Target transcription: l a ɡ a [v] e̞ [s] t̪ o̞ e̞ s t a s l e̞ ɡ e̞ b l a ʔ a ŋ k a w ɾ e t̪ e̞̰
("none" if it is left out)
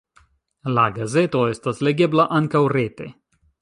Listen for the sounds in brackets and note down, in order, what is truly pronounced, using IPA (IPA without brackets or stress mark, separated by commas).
z, none